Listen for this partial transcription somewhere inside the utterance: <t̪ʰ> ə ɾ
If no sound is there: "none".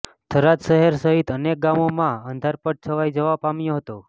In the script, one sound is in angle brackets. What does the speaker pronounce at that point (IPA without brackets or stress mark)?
t̪ʰ